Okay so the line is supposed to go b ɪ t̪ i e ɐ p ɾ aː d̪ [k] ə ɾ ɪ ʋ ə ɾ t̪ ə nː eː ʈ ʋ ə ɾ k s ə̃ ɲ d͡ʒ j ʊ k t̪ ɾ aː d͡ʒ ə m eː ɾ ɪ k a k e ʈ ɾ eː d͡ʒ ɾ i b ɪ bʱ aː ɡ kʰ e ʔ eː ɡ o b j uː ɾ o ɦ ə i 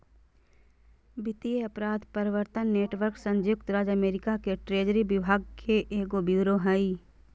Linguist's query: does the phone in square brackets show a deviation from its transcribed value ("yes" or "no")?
yes